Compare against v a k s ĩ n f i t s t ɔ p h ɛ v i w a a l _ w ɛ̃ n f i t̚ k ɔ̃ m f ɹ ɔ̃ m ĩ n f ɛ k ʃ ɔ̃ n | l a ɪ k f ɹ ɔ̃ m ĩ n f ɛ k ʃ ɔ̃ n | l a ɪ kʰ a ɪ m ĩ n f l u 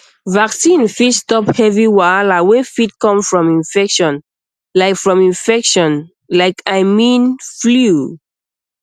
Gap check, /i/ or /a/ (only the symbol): a